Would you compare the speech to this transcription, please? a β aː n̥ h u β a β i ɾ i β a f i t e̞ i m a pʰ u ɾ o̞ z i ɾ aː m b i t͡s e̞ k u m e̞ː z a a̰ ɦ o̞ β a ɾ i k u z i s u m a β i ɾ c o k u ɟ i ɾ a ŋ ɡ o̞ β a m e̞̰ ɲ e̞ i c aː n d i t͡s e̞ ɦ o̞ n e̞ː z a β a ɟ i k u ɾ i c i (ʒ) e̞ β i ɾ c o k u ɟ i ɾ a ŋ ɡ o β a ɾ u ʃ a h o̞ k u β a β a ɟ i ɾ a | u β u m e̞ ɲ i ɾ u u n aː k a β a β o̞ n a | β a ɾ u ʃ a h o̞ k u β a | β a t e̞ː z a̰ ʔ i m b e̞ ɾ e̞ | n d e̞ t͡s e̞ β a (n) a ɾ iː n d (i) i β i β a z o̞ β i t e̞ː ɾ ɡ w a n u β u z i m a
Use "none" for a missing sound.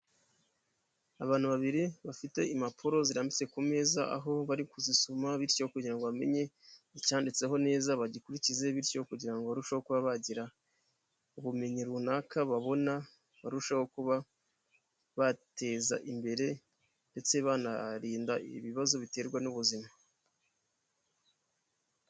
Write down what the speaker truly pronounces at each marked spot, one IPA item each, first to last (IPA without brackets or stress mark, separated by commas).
z, n, a